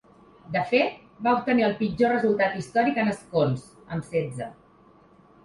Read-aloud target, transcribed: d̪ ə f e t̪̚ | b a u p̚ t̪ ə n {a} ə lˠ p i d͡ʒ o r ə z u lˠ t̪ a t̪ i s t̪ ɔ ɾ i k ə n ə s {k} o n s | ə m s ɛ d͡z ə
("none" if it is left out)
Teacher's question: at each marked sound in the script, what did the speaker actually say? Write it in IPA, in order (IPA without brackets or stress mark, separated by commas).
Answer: i, k